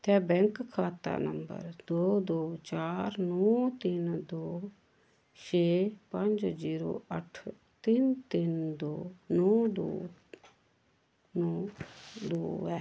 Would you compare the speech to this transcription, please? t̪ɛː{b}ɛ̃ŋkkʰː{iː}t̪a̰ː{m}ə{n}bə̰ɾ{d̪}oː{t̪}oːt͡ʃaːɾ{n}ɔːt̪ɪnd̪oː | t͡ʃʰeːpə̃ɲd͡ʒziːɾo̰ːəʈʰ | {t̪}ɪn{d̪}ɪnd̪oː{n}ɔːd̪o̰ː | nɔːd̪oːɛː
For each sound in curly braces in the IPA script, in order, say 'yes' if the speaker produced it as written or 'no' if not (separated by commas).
yes, no, no, no, yes, no, yes, yes, no, yes